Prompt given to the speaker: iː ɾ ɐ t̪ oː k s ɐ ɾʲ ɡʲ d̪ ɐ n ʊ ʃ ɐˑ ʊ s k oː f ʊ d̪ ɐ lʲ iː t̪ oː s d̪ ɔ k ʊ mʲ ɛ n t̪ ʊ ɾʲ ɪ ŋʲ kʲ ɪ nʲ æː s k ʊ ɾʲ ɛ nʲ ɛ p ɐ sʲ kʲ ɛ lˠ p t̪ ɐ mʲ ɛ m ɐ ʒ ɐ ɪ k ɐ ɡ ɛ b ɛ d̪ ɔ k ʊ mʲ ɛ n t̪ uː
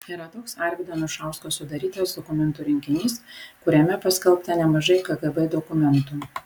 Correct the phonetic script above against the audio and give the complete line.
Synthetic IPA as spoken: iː ɾ ɐ t̪ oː k s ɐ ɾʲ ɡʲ d̪ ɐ n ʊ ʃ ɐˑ ʊ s k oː s ʊ d̪ ɐ ɾʲ iː t̪ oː s d̪ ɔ k ʊ mʲ ɛ n t̪ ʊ ɾʲ ɪ ŋʲ kʲ ɪ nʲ iː s k ʊ ɾʲ ɛ mʲ ɛ p ɐ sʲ kʲ ɛ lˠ p t̪ ɐ nʲ ɛ m ɐ ʒ ɐ ɪ k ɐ ɡ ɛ b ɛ d̪ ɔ k ʊ mʲ ɛ n t̪ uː